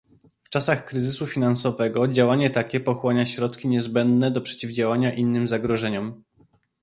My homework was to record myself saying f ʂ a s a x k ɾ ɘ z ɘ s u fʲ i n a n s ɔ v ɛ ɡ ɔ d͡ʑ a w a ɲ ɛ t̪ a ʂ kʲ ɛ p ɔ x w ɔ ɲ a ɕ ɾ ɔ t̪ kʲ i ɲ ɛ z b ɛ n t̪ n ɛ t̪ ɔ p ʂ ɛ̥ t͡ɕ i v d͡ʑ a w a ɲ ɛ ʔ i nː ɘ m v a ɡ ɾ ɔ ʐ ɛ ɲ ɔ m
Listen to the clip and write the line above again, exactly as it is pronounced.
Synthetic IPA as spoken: f t͡ʂ a s a x k ɾ ɘ z ɘ s u fʲ i n a n s ɔ v ɛ ɡ ɔ d͡ʑ a w a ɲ ɛ t̪ a kʲ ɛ p ɔ x w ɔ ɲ a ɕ ɾ ɔ t̪ kʲ i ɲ ɛ z b ɛ n d̪ n ɛ d̪ ɔ p ʂ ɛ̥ t͡ɕ i v d͡ʑ a w a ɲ a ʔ i nː ɘ m z a ɡ ɾ ɔ ʐ ɛ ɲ ɔ m

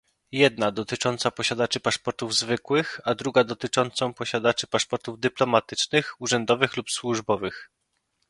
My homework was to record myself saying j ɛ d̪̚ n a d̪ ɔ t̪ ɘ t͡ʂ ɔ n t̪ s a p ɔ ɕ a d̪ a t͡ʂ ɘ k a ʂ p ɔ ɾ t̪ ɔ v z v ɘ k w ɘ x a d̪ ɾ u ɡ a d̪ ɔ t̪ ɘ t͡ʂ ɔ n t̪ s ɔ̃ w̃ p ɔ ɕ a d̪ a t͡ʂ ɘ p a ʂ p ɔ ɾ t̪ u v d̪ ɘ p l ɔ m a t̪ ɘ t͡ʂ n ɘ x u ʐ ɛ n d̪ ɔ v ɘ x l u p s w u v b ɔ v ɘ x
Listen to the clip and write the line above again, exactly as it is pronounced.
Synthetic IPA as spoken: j ɛ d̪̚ n a d̪ ɔ t̪ ɘ t͡ʂ ɔ n t̪ s a p ɔ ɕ a d̪ a t͡ʂ ɘ p a ʂ p ɔ ɾ t̪ u v z v ɘ k w ɘ x a d̪ ɾ u ɡ a d̪ ɔ t̪ ɘ t͡ʂ ɔ n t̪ s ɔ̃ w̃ p ɔ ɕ a d̪ a t͡ʂ ɘ p a ʂ p ɔ ɾ t̪ u v d̪ ɘ p l ɔ m a t̪ ɘ t͡ʂ n ɘ x u ʐ ɛ n d̪ ɔ v ɘ x l u p s w u ʐ b ɔ v ɘ x

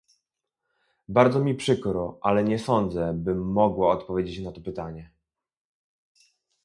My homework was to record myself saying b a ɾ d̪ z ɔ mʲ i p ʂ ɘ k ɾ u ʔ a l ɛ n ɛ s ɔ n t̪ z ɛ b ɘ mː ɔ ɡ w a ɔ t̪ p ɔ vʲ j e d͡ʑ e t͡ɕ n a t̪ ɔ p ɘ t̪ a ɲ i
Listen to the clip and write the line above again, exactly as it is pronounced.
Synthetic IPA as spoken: b a ɾ d̪ z ɔ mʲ i p ʂ ɘ k ɾ ɔ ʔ a l ɛ ɲ ɛ s ɔ n d̪ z ɛ b ɘ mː ɔ ɡ w a ɔ t̪ p ɔ vʲ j e d͡ʑ e t͡ɕ n a t̪ ɔ p ɘ t̪ a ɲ ɛ

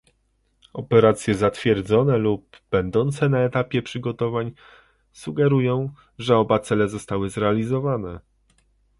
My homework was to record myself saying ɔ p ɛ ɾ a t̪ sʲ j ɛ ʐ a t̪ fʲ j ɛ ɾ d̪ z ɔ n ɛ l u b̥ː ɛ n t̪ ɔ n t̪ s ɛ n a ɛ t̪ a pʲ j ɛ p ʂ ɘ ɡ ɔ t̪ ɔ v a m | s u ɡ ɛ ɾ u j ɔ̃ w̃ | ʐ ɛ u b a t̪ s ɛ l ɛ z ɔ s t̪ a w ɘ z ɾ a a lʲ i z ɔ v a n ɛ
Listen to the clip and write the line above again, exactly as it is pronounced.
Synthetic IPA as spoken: ɔ p ɛ ɾ a t̪ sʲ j ɛ z a t̪ fʲ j ɛ ɾ d̪ z ɔ n ɛ l u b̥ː ɛ n d̪ ɔ n t̪ s ɛ n a ɛ t̪ a pʲ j ɛ p ʂ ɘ ɡ ɔ t̪ ɔ v a ɲ | s u ɡ ɛ ɾ u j ɔ̃ w̃ | ʐ ɛ ɔ b a t̪ s ɛ l ɛ z ɔ s t̪ a w ɘ z ɾ ɛ a lʲ i z ɔ v a n ɛ

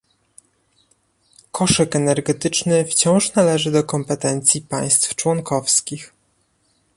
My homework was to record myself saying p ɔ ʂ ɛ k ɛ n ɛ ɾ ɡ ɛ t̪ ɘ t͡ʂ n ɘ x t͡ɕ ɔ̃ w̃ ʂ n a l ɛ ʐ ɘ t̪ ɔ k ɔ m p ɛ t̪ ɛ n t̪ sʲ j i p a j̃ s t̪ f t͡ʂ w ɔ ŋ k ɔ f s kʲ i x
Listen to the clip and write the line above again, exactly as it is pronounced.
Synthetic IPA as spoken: k ɔ ʂ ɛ k ɛ n ɛ ɾ ɡ ɛ t̪ ɘ t͡ʂ n ɘ f t͡ɕ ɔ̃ w̃ ʂ n a l ɛ ʐ ɘ d̪ ɔ k ɔ m p ɛ t̪ ɛ n t̪ sʲ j i p a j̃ s t̪ f t͡ʂ w ɔ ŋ k ɔ f s kʲ i x

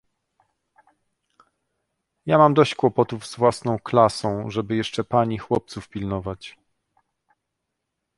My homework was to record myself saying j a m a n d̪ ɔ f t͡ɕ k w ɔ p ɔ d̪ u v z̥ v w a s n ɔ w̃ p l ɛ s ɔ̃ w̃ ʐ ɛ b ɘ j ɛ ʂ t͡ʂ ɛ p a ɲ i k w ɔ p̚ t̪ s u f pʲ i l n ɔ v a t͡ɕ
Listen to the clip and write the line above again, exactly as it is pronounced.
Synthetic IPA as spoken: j a m a m d̪ ɔ ɕ t͡ɕ k w ɔ p ɔ t̪ u v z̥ v w a s n ɔ̃ w̃ k l a s ɔ̃ w̃ ʐ ɛ b ɘ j ɛ ʂ t͡ʂ ɛ p a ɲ i x w ɔ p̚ t̪ s u f pʲ i l n ɔ v a t͡ɕ

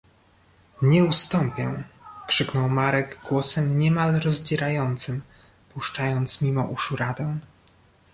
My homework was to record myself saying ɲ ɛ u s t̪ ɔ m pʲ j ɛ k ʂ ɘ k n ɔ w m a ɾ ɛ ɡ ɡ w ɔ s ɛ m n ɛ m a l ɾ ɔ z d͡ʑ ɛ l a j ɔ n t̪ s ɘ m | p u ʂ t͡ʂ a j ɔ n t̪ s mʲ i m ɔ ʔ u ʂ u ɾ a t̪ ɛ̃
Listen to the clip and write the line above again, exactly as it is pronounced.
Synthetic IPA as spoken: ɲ ɛ u s t̪ ɔ m pʲ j ɛ k ʂ ɘ k n ɔ w m a ɾ ɛ ɡ ɡ w ɔ s ɛ m ɲ ɛ m a l ɾ ɔ z d͡ʑ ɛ ɾ a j ɔ n t̪ s ɘ m | p u ʂ t͡ʂ a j ɔ n t̪ s mʲ i m ɔ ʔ u ʂ u ɾ a d̪ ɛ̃

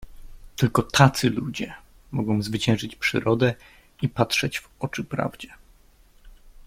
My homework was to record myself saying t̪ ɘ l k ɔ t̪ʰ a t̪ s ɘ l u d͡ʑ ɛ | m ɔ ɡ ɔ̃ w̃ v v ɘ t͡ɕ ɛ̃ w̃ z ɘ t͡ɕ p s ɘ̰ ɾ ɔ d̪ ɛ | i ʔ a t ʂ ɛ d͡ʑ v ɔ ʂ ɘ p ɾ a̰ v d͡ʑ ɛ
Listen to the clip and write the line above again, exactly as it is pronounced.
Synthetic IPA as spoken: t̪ ɘ l k ɔ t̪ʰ a t̪ s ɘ l u d͡ʑ ɛ | m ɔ ɡ ɔ̃ w̃ z v ɘ t͡ɕ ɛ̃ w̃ ʐ ɘ t͡ɕ p ʂ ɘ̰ ɾ ɔ d̪ ɛ | i p a t ʂ ɛ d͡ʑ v ɔ t͡ʂ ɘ p ɾ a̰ v d͡ʑ ɛ

